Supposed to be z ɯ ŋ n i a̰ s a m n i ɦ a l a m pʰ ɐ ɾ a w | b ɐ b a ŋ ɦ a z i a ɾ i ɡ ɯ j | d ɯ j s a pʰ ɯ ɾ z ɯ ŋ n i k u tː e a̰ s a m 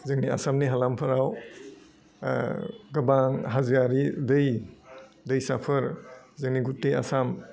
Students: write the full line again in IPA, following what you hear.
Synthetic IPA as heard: z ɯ ŋ n i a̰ s a m n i ɦ a l a m pʰ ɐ ɾ a w | ɡ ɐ b a ŋ ɦ a z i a ɾ i d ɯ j | d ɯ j s a pʰ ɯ ɾ z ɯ ŋ n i ɡ u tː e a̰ s a m